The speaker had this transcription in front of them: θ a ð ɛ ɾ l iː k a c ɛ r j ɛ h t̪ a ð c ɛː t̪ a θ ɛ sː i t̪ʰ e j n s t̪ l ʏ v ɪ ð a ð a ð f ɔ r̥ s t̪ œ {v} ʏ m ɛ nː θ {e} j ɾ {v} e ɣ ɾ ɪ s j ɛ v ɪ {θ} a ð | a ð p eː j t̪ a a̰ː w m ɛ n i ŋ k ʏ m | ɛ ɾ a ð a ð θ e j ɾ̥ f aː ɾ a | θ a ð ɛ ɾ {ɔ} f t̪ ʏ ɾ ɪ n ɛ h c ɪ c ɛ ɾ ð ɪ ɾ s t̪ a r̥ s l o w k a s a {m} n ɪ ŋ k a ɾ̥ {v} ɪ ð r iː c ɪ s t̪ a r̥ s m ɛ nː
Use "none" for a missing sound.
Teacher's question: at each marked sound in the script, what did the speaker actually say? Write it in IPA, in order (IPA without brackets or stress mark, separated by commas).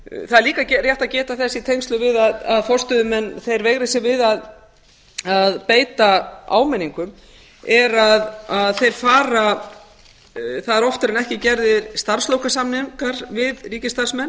ð, e, v, ð, ɔ, m, v